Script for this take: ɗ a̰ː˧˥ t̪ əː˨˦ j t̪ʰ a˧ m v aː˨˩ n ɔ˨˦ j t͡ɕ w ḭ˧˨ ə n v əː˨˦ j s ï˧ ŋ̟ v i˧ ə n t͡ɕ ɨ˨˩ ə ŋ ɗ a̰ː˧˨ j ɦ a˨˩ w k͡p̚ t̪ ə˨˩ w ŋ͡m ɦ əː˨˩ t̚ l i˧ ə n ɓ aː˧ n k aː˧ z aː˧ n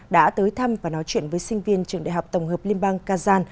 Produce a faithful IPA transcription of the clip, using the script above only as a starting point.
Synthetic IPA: ɗ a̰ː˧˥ t̪ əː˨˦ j t̪ʰ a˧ m v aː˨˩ n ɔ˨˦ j t͡ɕ w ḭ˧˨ ə n v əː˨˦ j s ï˧ ŋ̟ v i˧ ə n t͡ɕ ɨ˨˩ ə ŋ ɗ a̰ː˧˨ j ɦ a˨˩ w k͡p̚ t̪ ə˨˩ w ŋ͡m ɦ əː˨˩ p̚ l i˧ ə n ɓ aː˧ ŋ k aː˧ z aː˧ n